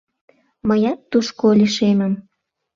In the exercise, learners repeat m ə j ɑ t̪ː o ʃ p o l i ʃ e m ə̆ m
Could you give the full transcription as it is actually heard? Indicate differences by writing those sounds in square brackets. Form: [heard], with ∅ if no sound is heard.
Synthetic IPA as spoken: m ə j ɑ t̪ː [u] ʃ [k] o l i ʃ e m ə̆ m

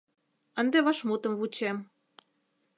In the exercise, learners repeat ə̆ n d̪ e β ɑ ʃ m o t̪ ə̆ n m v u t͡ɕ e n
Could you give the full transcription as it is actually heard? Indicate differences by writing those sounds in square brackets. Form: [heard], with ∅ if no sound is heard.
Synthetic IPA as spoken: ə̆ n d̪ e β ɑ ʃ m [u] t̪ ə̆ [∅] m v u t͡ɕ e [m]

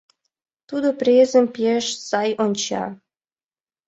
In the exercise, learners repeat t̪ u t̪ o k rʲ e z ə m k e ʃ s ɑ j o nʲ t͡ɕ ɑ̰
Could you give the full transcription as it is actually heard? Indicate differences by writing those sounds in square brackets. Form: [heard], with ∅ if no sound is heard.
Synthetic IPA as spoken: t̪ u [d̪] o [p] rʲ e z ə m [p] e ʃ s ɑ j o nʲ t͡ɕ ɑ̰

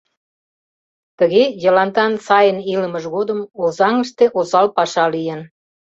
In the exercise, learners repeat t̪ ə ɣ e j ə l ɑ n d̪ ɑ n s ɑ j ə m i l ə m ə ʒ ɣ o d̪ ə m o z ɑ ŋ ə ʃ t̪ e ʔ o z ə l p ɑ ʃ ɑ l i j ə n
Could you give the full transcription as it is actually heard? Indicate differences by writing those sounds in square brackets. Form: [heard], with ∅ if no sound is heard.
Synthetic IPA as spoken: t̪ ə ɣ e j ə l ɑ n [t̪] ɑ n s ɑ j ə [n] i l ə m ə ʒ ɣ o d̪ ə m o z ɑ ŋ ə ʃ t̪ e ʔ o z [ɑ] l p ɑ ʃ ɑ l i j ə n

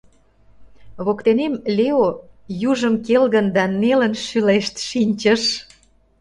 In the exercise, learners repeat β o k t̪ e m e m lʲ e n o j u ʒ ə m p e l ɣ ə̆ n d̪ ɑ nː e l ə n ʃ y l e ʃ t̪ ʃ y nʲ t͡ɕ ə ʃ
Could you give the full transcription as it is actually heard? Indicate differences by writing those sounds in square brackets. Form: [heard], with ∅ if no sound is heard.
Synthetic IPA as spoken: β o k t̪ e [n] e m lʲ e [∅] o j u ʒ ə m [k] e l ɣ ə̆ n d̪ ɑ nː e l ə n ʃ y l e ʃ t̪ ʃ [i] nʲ t͡ɕ ə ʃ

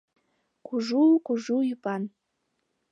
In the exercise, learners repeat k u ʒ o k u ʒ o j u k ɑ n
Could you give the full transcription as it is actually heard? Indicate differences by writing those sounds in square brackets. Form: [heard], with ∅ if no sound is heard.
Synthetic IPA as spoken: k u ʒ [u] k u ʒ [u] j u [p] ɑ n

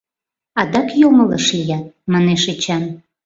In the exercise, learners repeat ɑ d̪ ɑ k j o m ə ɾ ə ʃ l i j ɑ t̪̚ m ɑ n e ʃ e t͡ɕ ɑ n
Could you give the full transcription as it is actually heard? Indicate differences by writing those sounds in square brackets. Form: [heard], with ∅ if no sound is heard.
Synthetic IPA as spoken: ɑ d̪ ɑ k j o m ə [l] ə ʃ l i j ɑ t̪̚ m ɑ n e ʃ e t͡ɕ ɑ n

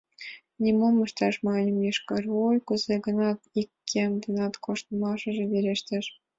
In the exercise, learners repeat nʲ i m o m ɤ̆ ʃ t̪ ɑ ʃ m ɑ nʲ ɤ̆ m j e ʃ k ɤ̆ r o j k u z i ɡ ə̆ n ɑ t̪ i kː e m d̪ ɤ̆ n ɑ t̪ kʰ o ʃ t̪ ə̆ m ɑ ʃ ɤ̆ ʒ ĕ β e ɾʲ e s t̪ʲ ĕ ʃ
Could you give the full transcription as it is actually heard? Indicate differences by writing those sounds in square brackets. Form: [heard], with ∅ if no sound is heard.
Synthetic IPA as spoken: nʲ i m o m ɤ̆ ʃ t̪ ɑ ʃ m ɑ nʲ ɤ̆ m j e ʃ k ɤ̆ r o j k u z [e] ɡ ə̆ n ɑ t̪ i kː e m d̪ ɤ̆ n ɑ t̪ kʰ o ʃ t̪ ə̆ m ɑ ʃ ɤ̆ ʒ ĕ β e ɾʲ e [ʃ] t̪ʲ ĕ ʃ

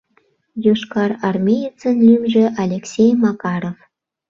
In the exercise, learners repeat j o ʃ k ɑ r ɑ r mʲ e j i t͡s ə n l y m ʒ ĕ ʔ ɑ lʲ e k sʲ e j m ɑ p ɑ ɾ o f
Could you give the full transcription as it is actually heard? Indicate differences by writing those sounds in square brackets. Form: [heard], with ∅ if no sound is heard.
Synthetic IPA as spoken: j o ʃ k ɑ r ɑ r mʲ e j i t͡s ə n l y m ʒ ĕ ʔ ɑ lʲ e k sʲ e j m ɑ [k] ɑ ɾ o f

